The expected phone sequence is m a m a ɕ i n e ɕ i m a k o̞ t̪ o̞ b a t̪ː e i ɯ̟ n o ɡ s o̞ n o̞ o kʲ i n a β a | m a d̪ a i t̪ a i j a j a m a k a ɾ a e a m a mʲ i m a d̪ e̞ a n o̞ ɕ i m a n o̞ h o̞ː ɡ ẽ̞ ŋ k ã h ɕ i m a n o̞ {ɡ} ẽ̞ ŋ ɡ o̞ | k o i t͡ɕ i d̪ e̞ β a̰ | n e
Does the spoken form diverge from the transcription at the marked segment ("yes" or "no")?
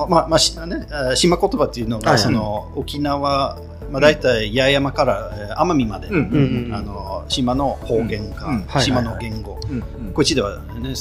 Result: no